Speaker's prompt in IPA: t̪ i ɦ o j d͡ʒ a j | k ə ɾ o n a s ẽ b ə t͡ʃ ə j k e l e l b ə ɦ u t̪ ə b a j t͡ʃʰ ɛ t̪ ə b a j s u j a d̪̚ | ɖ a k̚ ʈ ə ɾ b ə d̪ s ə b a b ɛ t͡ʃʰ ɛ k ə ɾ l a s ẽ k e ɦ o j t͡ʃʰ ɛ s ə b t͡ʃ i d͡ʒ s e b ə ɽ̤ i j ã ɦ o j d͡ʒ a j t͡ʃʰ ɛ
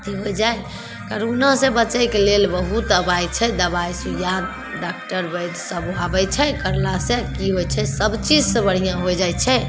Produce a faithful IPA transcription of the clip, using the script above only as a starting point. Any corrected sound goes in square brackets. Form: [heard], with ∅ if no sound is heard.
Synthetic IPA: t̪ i ɦ o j d͡ʒ a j | k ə ɾ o n a s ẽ b ə t͡ʃ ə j k e l e l b ə ɦ u t̪ ə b a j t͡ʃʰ ɛ [d̪] ə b a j s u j a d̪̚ | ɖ a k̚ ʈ ə ɾ b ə d̪ s ə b a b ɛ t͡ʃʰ ɛ k ə ɾ l a s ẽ k [i] ɦ o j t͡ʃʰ ɛ s ə b t͡ʃ i d͡ʒ s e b ə ɽ̤ i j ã ɦ o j d͡ʒ a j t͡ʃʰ ɛ